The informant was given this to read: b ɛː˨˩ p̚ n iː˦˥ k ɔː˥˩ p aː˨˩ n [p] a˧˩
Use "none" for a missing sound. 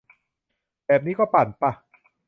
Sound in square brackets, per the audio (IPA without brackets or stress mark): p